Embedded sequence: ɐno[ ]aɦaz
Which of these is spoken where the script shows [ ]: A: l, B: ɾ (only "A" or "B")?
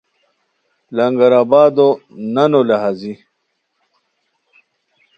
A